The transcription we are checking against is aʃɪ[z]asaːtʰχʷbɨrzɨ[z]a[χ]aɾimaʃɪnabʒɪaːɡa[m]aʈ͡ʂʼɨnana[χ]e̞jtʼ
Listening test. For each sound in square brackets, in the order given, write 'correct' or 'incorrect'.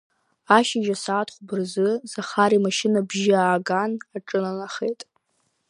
incorrect: ʒ, correct, correct, incorrect: n, correct

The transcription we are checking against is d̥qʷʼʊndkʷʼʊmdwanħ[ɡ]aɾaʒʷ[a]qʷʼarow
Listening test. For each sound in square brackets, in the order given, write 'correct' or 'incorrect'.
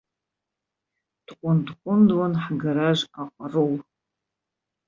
correct, correct

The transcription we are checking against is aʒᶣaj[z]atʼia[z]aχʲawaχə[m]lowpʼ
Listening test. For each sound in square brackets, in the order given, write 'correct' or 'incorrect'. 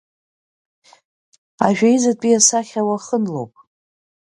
correct, incorrect: s, incorrect: n

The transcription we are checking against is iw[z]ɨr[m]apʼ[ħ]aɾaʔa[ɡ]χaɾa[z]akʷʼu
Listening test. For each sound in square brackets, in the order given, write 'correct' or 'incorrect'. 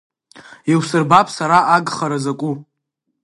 incorrect: s, incorrect: b, incorrect: s, correct, correct

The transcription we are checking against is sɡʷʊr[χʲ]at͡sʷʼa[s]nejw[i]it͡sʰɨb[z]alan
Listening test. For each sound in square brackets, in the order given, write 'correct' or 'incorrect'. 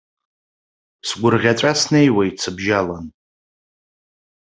incorrect: ʁʲ, correct, incorrect: a, incorrect: ʒ

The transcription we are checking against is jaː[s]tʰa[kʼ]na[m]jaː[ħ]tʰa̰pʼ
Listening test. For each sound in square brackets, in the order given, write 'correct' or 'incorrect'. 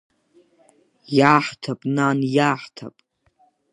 incorrect: ħ, incorrect: pʼ, incorrect: n, correct

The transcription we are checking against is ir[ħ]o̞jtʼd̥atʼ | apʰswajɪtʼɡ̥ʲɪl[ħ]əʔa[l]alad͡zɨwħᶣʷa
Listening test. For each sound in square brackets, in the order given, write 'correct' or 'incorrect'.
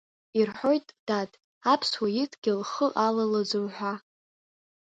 correct, incorrect: χ, correct

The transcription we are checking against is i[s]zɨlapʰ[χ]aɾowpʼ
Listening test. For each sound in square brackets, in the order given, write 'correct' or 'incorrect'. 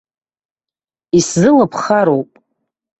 correct, correct

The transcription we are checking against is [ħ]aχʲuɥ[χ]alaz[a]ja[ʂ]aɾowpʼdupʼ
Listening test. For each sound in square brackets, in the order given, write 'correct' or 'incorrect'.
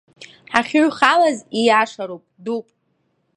correct, correct, incorrect: i, correct

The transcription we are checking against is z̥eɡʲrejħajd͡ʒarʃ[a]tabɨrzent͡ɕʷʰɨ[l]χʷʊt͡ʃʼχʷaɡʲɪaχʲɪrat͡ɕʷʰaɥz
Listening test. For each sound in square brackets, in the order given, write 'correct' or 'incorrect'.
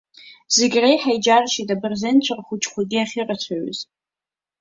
incorrect: i, incorrect: r

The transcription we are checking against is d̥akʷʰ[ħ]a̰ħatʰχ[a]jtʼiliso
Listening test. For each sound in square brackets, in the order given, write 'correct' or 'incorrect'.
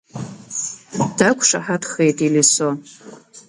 incorrect: ʂ, incorrect: e

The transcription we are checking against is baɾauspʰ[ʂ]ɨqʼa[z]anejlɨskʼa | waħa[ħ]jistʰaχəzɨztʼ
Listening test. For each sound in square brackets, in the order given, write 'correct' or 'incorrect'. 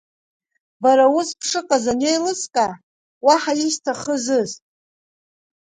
correct, correct, incorrect: none

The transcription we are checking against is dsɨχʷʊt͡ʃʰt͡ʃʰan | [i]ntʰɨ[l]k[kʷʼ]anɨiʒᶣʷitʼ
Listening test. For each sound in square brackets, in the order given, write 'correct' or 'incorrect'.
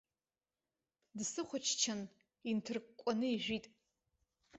correct, incorrect: r, correct

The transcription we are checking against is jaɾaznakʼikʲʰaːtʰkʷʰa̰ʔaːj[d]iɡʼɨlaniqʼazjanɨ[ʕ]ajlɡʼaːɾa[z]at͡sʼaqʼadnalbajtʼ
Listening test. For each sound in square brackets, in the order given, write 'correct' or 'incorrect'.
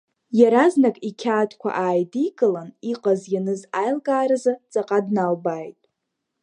correct, incorrect: z, correct

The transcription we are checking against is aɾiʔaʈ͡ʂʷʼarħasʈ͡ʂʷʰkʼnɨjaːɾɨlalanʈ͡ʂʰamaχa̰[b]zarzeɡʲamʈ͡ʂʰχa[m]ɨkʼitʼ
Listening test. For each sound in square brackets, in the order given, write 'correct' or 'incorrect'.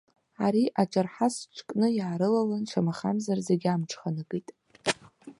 incorrect: m, incorrect: n

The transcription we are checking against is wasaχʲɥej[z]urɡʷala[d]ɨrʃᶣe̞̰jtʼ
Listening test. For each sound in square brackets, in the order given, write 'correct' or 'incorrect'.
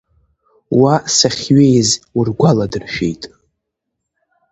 correct, correct

